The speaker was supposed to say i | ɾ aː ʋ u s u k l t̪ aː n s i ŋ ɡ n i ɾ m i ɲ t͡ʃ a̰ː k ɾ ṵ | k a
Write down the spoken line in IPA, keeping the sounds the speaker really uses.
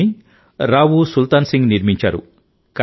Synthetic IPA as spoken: i | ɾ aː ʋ u s u l t̪ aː n s i ŋ ɡ n i ɾ m i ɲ t͡ʃ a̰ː ɾ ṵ | k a